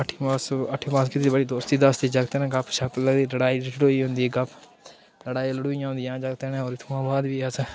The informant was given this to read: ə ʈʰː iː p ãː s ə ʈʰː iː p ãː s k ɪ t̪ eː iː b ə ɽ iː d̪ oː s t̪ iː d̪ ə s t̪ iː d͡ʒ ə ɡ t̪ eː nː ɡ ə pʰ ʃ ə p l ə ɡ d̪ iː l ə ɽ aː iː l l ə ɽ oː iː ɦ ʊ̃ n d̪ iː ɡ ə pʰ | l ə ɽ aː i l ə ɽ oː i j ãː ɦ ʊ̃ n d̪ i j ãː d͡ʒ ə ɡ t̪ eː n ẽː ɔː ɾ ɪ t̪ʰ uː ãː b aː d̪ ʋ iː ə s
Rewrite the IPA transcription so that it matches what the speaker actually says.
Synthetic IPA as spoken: ə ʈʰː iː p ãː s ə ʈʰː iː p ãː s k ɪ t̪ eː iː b ə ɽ iː d̪ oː s t̪ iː d̪ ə s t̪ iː d͡ʒ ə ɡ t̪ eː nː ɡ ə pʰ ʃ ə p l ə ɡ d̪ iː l ə ɽ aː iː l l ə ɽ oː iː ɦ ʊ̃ n d̪ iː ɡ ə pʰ | l ə ɽ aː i l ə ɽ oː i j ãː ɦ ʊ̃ n d̪ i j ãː d͡ʒ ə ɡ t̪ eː n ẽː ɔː ɾ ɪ t̪ʰ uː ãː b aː d̪ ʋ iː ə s

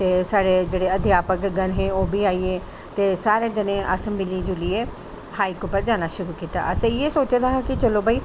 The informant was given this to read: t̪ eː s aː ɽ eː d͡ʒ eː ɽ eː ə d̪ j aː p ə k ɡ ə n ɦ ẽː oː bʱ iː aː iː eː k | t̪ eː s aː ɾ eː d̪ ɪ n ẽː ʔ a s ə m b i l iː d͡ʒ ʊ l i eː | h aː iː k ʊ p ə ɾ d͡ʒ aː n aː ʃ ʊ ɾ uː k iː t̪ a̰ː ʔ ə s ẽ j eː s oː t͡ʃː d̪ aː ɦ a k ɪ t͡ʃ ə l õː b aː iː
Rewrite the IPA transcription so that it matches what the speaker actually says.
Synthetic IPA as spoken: t̪ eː s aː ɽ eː d͡ʒ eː ɽ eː ə d̪ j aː p ə k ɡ ə n ɦ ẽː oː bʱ iː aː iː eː | t̪ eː s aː ɾ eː d̪ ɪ n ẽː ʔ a s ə m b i l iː d͡ʒ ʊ l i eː | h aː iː k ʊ p ə ɾ d͡ʒ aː n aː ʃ ʊ ɾ uː k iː t̪ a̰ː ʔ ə s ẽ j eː s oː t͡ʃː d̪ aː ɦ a k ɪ t͡ʃ ə l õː b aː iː

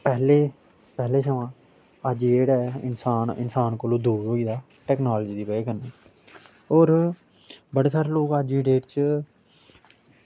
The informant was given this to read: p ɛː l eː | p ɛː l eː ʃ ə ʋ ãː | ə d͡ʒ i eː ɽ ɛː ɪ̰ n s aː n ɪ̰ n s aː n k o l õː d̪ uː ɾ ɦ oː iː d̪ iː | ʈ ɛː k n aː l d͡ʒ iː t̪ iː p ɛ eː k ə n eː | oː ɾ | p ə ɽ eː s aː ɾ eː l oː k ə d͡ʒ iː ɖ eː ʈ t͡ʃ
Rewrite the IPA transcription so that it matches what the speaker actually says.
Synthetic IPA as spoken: p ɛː l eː | p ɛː l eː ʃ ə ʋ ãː | ə d͡ʒ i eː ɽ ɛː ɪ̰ n s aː n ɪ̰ n s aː n k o l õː d̪ uː ɾ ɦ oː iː d̪ aː | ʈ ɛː k n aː l d͡ʒ iː d̪ iː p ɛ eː k ə n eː | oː ɾ | b ə ɽ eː s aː ɾ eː l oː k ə d͡ʒ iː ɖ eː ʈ t͡ʃ

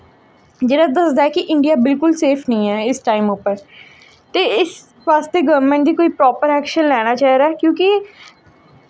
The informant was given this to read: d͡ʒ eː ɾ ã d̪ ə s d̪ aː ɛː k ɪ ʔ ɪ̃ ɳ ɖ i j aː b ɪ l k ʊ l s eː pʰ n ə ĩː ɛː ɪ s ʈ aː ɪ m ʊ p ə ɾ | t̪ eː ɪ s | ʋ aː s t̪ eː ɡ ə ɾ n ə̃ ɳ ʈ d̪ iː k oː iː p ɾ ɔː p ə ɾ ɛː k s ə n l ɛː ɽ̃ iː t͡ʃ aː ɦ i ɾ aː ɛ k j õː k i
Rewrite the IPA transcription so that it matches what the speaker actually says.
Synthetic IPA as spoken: d͡ʒ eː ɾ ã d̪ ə s d̪ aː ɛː k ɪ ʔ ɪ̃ ɳ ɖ i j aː b ɪ l k ʊ l s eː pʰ n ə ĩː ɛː ɪ s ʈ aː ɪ m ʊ p ə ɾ | t̪ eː ɪ s | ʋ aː s t̪ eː ɡ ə ɾ m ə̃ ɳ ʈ d̪ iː k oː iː p ɾ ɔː p ə ɾ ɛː k ʃ ə n l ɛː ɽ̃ aː t͡ʃ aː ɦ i ɾ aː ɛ k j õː k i

